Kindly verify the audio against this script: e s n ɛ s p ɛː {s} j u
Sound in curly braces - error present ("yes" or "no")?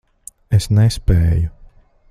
yes